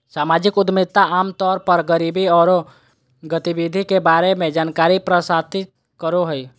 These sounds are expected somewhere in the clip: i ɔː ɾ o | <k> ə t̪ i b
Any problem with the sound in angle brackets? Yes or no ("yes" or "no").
yes